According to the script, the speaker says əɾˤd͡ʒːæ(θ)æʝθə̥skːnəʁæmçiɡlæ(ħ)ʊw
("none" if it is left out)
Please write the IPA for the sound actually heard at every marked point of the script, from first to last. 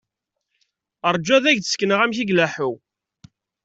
ð, ħ

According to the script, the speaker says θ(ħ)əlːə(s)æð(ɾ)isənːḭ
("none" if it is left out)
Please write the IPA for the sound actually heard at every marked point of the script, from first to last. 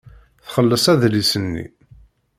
χ, s, l

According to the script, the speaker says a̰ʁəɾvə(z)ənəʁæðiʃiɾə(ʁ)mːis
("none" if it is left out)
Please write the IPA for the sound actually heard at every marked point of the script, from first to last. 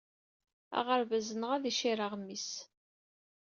z, ʁ

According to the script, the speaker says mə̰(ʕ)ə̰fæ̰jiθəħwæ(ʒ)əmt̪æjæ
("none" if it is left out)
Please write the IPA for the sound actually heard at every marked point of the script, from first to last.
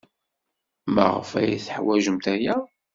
ʁ, ʒ

